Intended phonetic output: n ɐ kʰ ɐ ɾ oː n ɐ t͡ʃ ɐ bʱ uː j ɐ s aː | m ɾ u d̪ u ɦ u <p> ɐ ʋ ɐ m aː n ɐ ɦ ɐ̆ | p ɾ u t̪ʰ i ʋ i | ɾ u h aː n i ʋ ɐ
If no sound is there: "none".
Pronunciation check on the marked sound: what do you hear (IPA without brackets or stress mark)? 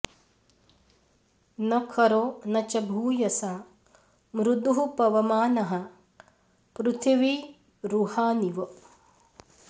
p